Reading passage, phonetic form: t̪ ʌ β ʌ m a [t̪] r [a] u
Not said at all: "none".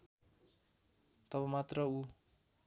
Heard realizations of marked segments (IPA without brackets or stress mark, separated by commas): t̪, ʌ